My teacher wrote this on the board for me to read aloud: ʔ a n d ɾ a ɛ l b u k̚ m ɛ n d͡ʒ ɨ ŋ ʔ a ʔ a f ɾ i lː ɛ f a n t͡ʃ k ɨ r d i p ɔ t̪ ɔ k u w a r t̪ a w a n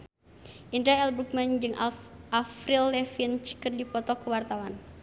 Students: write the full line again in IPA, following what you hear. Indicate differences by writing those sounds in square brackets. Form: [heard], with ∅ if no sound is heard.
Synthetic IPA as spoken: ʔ [i] n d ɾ a ɛ l b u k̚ m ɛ n d͡ʒ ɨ ŋ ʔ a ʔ a f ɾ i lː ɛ f [i] n t͡ʃ k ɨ r d i p ɔ t̪ ɔ k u w a r t̪ a w a n